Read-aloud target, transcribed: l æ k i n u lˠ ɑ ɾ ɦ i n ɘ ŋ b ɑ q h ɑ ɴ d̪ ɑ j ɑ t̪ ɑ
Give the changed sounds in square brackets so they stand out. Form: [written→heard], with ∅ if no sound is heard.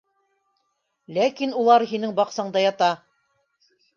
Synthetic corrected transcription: l æ k i n u lˠ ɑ ɾ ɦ i n ɘ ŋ b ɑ q [h→s] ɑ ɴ d̪ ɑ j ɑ t̪ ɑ